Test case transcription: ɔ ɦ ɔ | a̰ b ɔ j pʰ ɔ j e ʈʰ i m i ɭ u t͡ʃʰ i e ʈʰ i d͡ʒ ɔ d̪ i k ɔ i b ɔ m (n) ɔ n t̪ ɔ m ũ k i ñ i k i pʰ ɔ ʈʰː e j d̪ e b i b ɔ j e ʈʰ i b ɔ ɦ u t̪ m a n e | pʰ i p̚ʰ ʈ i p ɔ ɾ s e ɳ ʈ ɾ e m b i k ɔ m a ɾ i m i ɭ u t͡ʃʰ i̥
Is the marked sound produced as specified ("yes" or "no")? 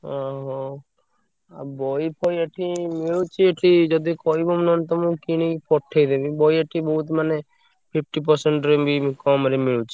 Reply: yes